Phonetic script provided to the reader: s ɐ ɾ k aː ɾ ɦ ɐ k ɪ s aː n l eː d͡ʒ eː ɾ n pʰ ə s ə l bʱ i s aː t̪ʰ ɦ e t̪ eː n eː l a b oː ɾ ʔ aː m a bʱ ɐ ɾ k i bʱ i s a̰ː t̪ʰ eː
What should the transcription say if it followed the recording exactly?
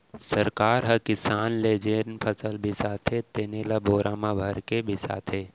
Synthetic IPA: s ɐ ɾ k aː ɾ ɦ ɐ k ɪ s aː n l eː d͡ʒ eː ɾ n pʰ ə s ə l bʱ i s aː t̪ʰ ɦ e t̪ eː n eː l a b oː ɾ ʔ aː m a bʱ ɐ ɾ k e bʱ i s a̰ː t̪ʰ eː